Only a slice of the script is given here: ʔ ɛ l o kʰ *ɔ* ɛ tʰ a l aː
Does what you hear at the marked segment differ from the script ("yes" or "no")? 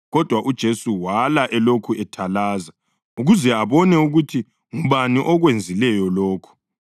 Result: yes